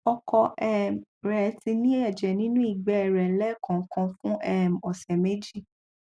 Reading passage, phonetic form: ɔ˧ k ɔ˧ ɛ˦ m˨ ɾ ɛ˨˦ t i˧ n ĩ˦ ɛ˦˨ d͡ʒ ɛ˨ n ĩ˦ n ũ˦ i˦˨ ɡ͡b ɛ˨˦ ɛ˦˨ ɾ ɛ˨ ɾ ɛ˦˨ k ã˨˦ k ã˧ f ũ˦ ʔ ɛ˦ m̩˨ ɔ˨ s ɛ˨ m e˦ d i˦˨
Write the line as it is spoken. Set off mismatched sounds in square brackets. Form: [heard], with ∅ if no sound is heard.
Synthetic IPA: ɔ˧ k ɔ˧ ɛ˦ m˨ ɾ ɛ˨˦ t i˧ n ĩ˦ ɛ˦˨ d͡ʒ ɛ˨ n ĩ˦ n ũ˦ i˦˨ ɡ͡b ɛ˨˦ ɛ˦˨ ɾ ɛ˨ [l] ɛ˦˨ k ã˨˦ k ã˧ f ũ˦ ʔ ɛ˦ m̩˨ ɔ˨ s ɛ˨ m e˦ [d͡ʒ] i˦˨